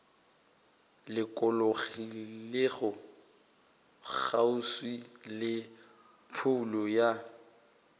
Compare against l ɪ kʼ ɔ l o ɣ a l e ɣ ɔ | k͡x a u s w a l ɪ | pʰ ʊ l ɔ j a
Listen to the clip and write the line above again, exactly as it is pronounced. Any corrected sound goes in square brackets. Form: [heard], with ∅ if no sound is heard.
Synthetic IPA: l ɪ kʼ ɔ l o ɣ [i] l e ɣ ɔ | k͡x a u s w [i] l ɪ | pʰ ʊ l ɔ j a